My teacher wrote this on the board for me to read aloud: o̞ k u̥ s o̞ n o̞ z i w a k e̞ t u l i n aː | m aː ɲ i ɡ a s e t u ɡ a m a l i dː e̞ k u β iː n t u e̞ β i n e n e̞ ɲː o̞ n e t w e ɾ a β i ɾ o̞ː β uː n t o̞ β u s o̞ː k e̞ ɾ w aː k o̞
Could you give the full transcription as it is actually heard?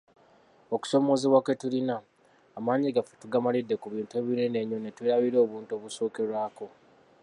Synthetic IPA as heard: o̞ k u̥ s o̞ m o̞ z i w a k e̞ t u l i n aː | m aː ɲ i ɡ a f e t u ɡ a m a l i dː e̞ k u β iː n t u e̞ β i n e n e̞ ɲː o̞ n e t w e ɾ a β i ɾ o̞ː β uː n t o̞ β u s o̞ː k e̞ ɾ w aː k o̞